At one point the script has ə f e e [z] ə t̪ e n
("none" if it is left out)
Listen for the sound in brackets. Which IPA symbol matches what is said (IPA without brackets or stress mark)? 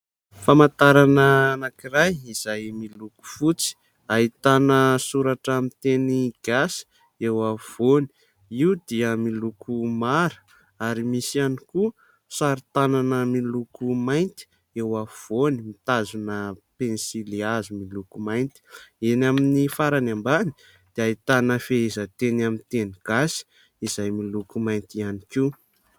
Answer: z